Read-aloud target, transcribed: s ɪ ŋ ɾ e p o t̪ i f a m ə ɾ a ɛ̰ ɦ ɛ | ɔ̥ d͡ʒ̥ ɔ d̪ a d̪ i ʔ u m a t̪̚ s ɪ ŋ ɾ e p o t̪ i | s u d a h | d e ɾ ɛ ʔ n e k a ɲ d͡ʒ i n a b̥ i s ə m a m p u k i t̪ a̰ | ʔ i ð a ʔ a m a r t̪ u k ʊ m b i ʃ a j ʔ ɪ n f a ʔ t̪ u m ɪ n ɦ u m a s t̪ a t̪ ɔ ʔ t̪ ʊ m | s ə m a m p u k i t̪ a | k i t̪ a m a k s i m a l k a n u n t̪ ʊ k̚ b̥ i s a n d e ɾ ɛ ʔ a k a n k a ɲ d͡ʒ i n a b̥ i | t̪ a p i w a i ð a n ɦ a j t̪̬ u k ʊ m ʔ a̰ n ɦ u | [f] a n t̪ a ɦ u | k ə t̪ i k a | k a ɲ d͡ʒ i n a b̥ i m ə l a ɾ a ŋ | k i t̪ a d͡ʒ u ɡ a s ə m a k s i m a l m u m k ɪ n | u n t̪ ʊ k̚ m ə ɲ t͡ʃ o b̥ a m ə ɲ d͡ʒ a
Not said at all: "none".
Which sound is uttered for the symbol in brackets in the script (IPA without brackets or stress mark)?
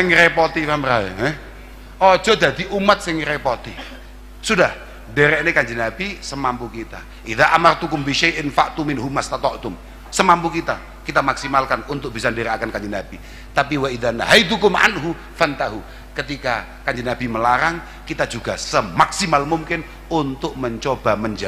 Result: f